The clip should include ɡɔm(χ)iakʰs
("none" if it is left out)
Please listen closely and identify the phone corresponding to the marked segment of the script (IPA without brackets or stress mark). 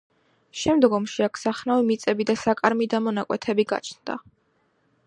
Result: ʃ